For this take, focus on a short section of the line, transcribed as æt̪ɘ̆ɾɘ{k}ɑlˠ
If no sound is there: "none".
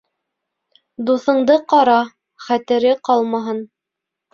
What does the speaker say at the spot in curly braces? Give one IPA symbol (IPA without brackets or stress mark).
q